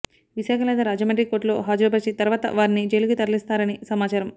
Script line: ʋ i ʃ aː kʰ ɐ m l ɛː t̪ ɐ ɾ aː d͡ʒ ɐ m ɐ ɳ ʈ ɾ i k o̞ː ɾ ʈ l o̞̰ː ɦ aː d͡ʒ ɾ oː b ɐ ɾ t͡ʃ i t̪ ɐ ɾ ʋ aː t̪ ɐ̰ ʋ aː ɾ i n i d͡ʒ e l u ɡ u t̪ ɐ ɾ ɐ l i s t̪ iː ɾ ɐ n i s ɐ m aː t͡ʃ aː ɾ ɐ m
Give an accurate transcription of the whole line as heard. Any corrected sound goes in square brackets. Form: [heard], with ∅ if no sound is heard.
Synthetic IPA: ʋ i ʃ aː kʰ ɐ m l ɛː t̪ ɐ ɾ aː d͡ʒ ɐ m ɐ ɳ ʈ ɾ i k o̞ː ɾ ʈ l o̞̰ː ɦ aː d͡ʒ ɾ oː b ɐ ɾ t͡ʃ i t̪ ɐ ɾ ʋ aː t̪ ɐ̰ ʋ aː ɾ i n i d͡ʒ e l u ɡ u t̪ ɐ ɾ ɐ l i s t̪ [aː] ɾ ɐ n i s ɐ m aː t͡ʃ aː ɾ ɐ m